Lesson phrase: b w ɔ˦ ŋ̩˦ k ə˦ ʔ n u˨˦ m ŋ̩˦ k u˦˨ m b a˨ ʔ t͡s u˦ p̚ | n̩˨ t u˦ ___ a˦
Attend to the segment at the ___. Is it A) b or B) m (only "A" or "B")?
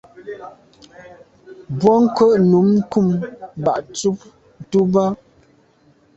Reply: A